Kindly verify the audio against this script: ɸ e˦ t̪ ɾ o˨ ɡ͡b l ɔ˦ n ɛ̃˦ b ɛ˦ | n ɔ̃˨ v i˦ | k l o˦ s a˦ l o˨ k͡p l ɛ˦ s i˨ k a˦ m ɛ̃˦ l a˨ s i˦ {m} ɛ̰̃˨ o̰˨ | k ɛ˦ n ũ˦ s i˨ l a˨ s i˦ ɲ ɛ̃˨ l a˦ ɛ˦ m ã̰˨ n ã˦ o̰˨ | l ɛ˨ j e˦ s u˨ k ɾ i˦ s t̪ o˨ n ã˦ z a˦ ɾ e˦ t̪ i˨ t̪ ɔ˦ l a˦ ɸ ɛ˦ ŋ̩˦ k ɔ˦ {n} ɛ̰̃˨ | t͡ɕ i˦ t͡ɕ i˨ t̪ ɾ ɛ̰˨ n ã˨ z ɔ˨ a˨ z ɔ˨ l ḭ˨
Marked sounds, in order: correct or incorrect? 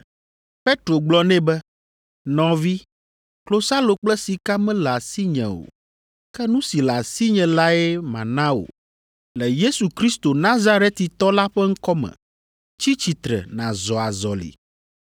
incorrect: ɲ, incorrect: m

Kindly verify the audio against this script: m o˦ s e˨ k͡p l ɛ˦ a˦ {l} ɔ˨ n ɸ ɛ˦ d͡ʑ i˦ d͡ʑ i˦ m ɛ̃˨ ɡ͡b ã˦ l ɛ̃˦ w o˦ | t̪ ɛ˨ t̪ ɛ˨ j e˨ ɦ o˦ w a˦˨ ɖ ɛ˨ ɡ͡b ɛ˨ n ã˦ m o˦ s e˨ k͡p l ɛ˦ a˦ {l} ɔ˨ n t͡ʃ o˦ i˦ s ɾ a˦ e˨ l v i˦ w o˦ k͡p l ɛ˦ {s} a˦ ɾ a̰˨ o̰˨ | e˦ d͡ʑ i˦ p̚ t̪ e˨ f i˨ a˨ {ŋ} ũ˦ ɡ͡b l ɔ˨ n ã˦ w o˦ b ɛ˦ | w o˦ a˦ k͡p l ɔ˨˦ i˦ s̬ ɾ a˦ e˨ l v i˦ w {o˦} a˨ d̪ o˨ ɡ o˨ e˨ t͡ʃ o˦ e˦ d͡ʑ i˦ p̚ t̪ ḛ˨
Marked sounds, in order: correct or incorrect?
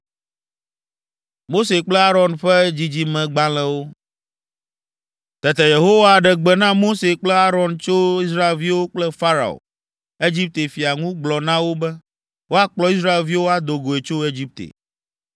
incorrect: ɾ, incorrect: ɾ, incorrect: f, correct, correct

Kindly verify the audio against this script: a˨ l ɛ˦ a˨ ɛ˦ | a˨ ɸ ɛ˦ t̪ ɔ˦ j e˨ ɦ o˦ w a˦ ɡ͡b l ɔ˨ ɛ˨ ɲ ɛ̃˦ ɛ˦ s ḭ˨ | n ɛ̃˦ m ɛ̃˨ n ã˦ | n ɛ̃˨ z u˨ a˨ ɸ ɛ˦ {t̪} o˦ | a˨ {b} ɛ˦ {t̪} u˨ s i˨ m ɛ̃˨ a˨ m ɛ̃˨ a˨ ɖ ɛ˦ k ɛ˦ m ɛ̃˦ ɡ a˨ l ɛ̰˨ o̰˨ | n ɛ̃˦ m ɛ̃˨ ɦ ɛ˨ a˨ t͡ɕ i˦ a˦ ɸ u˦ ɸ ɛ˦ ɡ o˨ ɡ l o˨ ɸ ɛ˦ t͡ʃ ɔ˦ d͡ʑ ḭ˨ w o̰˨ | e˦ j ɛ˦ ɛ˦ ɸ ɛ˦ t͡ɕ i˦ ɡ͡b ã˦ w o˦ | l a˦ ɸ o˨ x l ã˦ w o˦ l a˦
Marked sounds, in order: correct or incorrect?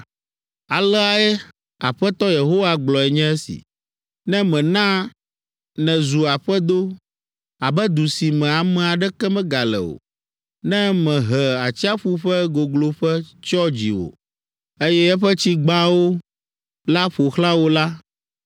incorrect: d̪, correct, incorrect: d̪

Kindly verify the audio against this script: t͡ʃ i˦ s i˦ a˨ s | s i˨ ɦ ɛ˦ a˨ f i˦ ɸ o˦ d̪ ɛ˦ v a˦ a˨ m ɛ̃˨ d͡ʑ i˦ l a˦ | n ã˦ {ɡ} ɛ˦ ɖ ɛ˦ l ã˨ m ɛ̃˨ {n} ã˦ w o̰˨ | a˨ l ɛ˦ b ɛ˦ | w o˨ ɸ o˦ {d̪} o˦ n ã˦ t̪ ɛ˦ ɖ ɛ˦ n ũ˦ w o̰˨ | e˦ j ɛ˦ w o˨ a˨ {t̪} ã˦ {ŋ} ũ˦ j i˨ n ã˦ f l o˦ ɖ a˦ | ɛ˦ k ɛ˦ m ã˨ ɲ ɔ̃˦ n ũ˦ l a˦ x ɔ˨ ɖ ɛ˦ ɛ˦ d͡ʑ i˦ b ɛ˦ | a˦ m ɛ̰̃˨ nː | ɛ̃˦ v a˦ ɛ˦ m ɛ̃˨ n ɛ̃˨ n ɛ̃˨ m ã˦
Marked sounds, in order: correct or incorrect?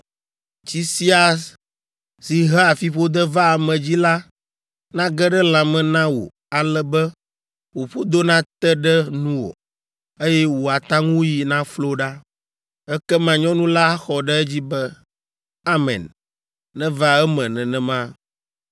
correct, correct, correct, correct, correct

